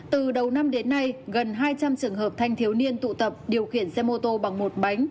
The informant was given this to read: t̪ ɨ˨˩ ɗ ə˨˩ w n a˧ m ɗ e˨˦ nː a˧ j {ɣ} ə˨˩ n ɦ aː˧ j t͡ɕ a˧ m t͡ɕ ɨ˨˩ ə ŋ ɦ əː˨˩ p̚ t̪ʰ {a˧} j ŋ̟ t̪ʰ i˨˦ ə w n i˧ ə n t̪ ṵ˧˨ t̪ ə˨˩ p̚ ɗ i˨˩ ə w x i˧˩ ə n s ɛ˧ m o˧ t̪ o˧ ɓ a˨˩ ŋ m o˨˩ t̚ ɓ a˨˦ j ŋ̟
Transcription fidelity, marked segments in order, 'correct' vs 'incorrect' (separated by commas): correct, correct